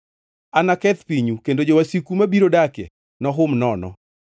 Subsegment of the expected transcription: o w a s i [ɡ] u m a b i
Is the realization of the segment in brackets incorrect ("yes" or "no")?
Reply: yes